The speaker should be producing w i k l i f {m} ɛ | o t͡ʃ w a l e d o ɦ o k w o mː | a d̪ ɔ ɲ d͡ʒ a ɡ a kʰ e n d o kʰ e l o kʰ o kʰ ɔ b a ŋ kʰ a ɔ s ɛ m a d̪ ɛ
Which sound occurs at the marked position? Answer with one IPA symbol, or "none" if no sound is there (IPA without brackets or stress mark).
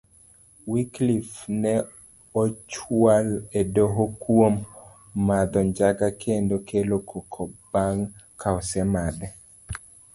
n